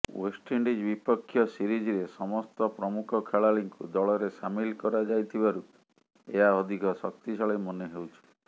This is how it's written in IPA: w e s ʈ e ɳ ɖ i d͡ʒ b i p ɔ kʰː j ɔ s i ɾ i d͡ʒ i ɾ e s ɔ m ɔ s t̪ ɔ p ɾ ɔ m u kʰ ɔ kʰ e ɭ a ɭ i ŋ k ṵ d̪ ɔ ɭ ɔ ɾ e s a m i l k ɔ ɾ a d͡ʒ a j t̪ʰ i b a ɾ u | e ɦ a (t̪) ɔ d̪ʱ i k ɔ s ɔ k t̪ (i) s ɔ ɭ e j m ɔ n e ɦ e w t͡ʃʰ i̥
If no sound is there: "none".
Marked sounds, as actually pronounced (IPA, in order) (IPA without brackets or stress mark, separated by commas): none, i